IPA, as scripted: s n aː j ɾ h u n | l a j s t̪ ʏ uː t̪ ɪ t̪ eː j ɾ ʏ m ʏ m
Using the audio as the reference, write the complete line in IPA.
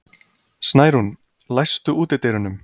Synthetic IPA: s n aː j ɾ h u n | l a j s t̪ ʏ uː t̪ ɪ t̪ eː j ɾ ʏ n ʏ m